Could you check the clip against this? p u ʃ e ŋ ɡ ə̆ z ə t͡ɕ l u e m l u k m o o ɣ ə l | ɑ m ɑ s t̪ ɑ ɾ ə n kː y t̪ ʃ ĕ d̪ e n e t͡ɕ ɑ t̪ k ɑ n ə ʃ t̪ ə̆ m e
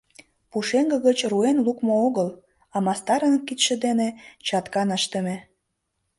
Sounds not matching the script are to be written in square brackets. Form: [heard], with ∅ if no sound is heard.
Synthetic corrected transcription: p u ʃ e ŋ ɡ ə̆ [ɣ] ə t͡ɕ [r] u e [n] l u k m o o ɣ ə l | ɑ m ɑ s t̪ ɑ ɾ ə n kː [i] t̪ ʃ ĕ d̪ e n e t͡ɕ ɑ t̪ k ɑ n ə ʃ t̪ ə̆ m e

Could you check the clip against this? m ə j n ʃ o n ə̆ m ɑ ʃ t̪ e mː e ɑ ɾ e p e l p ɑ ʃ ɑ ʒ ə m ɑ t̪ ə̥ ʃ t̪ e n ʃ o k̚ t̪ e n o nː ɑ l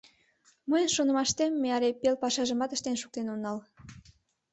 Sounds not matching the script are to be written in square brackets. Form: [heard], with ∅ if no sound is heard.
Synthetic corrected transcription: m ə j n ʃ o n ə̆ m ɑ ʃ t̪ e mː e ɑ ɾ e p e l p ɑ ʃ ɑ ʒ ə m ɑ t̪ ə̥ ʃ t̪ e n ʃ [u] k̚ t̪ e n o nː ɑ l

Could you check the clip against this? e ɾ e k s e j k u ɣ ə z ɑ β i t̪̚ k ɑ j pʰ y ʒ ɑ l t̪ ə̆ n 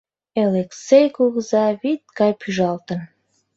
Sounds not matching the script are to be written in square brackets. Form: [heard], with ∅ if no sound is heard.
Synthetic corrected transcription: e [l] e k s e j k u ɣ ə z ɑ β i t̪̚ k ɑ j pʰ y ʒ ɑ l t̪ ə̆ n

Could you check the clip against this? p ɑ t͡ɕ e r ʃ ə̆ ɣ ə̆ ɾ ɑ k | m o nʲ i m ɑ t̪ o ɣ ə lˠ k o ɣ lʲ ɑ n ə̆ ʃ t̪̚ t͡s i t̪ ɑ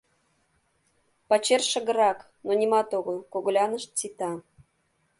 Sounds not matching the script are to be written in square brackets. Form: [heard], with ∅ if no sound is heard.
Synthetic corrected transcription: p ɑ t͡ɕ e r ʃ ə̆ ɣ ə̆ ɾ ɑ k | [n] o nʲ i m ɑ t̪ o ɣ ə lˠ k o ɣ lʲ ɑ n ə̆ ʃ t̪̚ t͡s i t̪ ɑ

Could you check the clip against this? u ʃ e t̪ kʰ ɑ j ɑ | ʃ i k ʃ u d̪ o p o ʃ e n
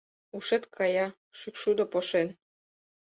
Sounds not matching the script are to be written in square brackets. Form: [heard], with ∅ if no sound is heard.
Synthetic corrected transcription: u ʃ e t̪ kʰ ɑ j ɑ | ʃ [y] k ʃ u d̪ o p o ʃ e n

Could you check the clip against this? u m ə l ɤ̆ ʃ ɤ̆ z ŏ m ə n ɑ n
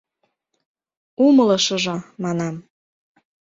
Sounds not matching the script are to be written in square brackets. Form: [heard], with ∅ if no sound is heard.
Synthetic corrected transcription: u m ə l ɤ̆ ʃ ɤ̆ [ʒ] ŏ m [ɑ] n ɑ [m]

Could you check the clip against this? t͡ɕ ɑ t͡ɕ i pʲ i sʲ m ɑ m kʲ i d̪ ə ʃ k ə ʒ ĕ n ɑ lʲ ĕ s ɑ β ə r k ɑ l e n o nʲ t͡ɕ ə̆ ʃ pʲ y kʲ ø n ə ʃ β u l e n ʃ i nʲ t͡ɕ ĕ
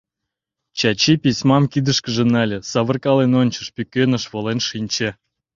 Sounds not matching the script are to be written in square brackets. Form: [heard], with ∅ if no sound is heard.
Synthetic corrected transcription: t͡ɕ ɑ t͡ɕ i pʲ i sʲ m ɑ m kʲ i d̪ ə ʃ k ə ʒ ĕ n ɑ lʲ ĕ s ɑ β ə r k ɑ l e n o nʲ t͡ɕ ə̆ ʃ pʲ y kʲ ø n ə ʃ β [o] l e n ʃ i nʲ t͡ɕ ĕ

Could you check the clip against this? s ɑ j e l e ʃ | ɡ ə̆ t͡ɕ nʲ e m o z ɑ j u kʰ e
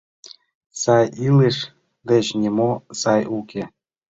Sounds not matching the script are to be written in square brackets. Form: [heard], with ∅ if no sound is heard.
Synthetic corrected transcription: s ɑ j [i] l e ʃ | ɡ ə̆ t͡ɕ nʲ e m o [s] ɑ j u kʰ e

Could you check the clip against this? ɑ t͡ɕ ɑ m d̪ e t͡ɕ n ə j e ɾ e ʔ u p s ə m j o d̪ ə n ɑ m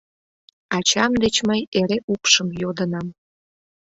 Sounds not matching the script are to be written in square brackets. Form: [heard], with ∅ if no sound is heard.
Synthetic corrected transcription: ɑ t͡ɕ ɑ m d̪ e t͡ɕ [m] ə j e ɾ e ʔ u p [ʃ] ə m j o d̪ ə n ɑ m

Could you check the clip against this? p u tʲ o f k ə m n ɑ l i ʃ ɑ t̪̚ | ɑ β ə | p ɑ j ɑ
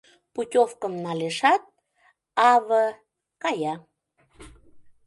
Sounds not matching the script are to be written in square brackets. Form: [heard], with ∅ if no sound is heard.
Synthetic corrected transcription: p u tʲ o f k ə m n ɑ l [e] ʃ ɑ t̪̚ | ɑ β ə | [k] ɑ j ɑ

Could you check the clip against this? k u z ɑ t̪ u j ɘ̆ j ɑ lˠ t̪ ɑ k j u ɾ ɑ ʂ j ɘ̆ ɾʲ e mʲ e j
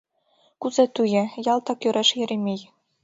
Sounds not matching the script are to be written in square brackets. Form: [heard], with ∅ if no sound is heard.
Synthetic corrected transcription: k u z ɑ t̪ u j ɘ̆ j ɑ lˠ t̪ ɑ k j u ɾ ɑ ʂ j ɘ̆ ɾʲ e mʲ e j

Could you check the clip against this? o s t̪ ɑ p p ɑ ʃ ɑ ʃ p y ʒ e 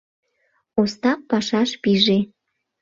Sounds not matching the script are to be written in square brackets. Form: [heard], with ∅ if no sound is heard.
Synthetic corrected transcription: o s t̪ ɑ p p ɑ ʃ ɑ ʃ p [i] ʒ e

